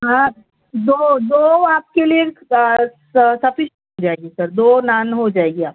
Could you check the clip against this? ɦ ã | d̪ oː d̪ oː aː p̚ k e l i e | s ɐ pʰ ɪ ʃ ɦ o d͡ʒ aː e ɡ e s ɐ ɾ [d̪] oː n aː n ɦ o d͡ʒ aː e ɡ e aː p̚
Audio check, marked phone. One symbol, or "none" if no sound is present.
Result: d̪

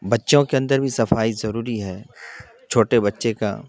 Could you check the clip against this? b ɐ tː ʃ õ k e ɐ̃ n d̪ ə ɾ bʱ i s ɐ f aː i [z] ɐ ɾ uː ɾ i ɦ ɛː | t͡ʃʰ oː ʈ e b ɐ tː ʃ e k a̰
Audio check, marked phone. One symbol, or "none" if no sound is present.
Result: z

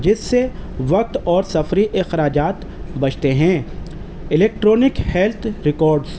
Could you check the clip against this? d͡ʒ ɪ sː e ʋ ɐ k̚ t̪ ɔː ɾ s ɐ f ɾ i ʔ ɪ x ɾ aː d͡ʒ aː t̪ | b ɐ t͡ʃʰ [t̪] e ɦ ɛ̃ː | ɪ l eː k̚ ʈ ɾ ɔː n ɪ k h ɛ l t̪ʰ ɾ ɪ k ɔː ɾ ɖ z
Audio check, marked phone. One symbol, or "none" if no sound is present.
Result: t̪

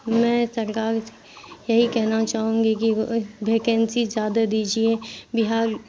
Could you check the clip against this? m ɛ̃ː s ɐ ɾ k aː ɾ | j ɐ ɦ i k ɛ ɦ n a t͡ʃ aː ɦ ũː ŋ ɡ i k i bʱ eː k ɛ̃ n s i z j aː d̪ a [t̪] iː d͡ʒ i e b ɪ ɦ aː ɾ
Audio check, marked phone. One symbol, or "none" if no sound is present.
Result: d̪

